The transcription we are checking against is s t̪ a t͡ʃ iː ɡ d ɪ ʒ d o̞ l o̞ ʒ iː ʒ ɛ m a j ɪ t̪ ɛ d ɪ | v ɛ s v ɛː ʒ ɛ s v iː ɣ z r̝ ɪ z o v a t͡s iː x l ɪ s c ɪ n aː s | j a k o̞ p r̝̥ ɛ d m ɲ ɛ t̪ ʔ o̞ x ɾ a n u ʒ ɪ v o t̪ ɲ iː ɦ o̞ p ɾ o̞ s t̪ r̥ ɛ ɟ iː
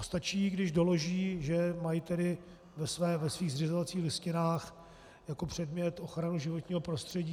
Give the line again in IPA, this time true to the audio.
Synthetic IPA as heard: s t̪ a t͡ʃ iː ɡ d ɪ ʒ d o̞ l o̞ ʒ iː ʒ ɛ m a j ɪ t̪ ɛ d ɪ | v ɛ s v ɛː v ɛ s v iː ɣ z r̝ ɪ z o v a t͡s iː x l ɪ s c ɪ n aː x | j a k o̞ p r̝̥ ɛ d m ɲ ɛ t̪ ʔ o̞ x ɾ a n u ʒ ɪ v o t̪ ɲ iː ɦ o̞ p ɾ o̞ s t̪ r̥ ɛ ɟ iː